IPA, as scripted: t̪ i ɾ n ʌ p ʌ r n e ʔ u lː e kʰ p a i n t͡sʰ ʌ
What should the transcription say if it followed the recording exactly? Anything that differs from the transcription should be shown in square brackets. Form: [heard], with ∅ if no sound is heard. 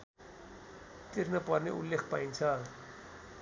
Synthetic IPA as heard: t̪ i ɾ n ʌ p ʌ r n e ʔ u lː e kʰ p a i n t͡sʰ ʌ